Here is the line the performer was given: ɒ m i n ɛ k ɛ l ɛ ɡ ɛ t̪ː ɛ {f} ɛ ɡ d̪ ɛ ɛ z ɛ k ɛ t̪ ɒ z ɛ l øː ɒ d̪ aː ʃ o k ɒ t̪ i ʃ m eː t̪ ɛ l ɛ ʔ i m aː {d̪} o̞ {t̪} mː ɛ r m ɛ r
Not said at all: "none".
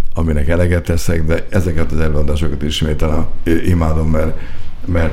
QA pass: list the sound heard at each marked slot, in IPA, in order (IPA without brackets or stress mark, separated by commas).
s, d̪, none